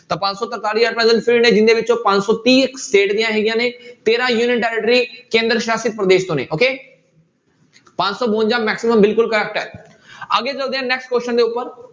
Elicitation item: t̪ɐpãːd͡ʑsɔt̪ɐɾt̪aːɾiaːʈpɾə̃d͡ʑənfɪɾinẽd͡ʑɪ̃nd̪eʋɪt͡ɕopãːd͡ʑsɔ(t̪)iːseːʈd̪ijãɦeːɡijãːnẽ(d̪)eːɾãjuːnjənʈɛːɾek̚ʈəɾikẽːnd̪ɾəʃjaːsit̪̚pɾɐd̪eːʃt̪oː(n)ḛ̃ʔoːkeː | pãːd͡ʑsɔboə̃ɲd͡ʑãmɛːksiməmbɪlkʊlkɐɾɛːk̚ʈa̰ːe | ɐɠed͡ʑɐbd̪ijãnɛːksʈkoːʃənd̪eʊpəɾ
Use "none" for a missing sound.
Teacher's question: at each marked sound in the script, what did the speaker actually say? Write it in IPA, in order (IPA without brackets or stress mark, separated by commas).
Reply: t̪, t̪, n